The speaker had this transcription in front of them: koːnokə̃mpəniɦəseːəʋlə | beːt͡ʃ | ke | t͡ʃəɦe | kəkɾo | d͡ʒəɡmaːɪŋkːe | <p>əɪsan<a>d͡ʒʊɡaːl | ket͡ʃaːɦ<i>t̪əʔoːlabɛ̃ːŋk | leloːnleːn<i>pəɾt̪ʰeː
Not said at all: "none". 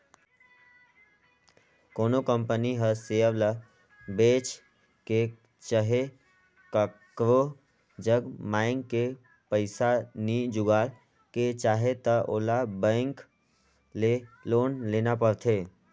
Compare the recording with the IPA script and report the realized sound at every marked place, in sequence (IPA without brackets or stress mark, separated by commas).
p, i, e, a